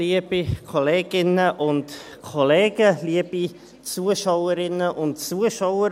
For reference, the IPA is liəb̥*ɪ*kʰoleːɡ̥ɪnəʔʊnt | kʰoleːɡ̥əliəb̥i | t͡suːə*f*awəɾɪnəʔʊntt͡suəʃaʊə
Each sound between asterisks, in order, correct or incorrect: incorrect, incorrect

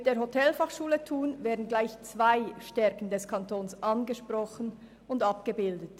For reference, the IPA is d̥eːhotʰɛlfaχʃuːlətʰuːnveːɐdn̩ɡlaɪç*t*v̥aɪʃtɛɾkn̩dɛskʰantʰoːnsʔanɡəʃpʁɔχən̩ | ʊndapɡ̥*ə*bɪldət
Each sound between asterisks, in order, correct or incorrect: incorrect, correct

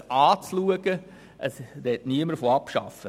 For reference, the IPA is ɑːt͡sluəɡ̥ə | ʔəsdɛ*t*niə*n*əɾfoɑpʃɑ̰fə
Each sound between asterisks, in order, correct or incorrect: correct, incorrect

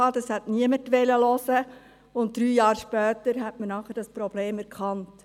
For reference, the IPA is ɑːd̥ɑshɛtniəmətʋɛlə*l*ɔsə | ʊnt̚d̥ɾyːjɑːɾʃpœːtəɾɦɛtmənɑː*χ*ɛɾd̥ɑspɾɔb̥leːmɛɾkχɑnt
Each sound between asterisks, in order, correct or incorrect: correct, correct

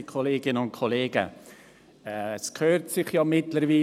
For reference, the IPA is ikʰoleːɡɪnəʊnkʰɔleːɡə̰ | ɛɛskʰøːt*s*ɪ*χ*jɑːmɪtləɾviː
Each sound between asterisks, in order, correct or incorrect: correct, correct

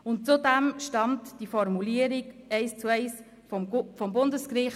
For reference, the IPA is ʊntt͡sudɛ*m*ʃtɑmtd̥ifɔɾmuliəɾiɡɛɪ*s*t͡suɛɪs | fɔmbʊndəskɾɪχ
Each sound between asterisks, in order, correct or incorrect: correct, correct

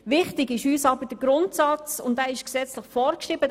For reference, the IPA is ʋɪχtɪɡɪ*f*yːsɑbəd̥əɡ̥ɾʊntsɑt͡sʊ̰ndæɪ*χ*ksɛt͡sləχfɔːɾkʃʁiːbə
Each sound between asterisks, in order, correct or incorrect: incorrect, incorrect

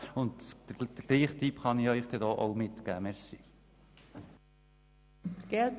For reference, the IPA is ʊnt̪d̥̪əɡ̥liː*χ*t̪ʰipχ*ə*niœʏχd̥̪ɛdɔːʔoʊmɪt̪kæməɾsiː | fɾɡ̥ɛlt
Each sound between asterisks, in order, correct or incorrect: correct, incorrect

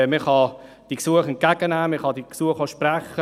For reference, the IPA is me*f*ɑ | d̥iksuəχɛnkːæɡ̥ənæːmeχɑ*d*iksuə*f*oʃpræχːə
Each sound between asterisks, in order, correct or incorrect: incorrect, correct, incorrect

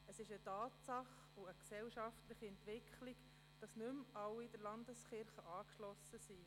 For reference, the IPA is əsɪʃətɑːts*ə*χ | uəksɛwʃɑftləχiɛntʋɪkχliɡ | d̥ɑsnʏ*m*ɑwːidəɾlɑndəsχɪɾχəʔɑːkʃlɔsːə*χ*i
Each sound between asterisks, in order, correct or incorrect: incorrect, correct, incorrect

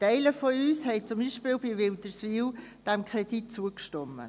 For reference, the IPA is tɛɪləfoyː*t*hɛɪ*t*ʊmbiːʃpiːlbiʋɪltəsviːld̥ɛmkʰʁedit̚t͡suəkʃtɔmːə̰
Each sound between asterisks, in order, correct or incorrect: incorrect, incorrect

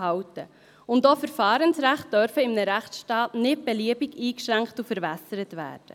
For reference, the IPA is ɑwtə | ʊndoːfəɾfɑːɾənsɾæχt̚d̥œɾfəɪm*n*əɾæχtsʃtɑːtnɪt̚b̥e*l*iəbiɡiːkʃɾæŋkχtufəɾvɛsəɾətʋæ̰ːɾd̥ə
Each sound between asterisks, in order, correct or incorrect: correct, correct

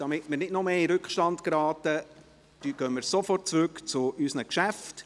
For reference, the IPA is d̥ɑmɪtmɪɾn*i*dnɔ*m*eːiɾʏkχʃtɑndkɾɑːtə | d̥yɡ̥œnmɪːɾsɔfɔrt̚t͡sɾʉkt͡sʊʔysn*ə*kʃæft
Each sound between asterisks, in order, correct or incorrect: incorrect, correct, correct

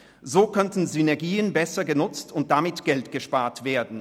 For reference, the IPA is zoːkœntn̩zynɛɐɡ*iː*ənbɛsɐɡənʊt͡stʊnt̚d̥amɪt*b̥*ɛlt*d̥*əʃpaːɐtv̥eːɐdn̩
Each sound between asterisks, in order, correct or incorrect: correct, incorrect, incorrect

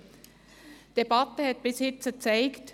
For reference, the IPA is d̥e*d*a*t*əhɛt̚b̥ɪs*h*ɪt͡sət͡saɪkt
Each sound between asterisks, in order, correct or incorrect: incorrect, correct, correct

